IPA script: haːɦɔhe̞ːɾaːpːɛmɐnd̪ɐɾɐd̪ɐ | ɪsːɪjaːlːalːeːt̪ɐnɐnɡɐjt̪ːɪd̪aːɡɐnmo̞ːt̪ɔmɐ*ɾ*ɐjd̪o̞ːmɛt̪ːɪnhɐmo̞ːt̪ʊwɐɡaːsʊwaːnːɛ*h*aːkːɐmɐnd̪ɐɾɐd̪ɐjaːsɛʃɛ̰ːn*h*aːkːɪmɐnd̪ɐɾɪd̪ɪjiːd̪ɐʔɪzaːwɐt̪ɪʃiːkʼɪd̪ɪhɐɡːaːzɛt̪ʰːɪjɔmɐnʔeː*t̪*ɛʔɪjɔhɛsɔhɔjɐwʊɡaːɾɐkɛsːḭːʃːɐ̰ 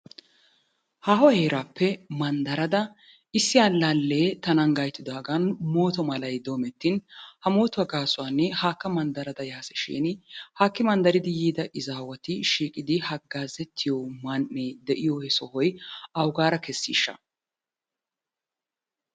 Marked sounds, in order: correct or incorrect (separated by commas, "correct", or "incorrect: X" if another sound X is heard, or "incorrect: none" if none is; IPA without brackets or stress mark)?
incorrect: l, correct, correct, incorrect: d̪